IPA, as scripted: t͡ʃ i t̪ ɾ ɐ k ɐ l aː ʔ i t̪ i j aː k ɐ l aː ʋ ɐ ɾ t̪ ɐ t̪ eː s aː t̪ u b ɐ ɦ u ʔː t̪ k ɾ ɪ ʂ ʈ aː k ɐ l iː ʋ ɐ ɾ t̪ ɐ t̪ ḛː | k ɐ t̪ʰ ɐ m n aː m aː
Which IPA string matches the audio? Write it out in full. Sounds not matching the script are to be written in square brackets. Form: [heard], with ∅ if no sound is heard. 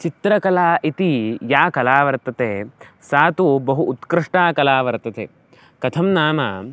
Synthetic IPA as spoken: t͡ʃ i t̪ ɾ ɐ k ɐ l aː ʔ i t̪ i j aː k ɐ l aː ʋ ɐ ɾ t̪ ɐ t̪ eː s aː t̪ u b ɐ ɦ u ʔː t̪ k ɾ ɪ ʂ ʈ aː k ɐ l [aː] ʋ ɐ ɾ t̪ ɐ t̪ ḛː | k ɐ t̪ʰ ɐ m n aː m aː